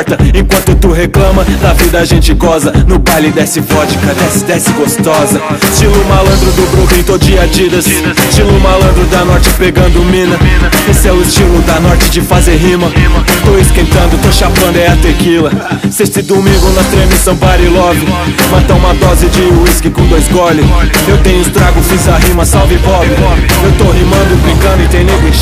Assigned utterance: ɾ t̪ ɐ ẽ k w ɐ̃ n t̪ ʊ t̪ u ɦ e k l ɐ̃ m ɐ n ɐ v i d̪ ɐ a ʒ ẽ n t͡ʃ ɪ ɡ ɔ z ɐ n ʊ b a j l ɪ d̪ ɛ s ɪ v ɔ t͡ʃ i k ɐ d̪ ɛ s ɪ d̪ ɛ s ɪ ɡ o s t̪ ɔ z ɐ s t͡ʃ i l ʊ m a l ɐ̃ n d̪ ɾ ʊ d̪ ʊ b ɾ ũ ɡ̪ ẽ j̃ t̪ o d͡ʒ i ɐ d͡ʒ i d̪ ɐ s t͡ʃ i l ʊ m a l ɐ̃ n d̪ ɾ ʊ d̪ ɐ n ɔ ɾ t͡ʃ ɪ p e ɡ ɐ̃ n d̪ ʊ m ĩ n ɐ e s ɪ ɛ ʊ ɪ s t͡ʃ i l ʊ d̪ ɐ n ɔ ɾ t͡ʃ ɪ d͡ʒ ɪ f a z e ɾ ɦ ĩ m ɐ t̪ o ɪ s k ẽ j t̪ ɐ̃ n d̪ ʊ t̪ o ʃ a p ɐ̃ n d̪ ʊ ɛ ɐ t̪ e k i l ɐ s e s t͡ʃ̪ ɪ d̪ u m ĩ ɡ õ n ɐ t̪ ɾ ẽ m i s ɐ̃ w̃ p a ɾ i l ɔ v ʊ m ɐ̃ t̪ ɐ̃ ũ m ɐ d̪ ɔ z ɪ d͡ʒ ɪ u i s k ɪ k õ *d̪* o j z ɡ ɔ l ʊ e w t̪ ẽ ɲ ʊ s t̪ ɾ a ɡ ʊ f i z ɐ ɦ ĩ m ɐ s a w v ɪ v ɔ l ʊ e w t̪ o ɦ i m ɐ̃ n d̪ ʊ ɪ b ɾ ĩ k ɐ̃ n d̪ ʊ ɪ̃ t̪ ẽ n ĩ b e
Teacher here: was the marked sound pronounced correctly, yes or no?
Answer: yes